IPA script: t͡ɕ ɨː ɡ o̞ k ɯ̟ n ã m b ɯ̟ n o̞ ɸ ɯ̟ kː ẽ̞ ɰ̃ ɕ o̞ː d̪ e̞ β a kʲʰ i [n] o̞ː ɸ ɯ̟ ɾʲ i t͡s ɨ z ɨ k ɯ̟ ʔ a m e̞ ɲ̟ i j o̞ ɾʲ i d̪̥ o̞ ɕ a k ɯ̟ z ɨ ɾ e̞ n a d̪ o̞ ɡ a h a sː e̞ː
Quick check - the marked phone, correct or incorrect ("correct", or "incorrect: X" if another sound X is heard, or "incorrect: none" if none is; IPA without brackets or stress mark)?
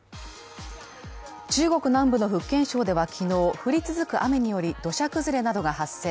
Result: correct